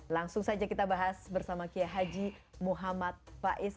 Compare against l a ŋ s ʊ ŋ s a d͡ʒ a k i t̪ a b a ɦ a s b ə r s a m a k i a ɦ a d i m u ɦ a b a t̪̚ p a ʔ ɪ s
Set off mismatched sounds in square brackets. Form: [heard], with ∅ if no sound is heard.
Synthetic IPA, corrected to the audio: l a ŋ s ʊ ŋ s a d͡ʒ a k i t̪ a b a ɦ a s b ə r s a m a k i a ɦ a [d͡ʒ] i m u ɦ a [m] a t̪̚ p a ʔ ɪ s